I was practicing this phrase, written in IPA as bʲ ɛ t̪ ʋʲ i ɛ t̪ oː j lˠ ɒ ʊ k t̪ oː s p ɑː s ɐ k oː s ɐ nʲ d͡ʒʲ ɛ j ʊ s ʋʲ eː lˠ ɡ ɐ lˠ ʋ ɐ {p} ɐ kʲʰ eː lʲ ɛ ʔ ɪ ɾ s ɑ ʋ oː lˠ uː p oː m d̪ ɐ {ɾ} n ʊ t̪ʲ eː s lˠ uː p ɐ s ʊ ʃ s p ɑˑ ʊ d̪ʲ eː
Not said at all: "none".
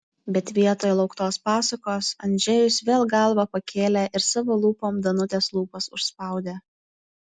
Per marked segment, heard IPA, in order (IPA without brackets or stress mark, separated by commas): p, none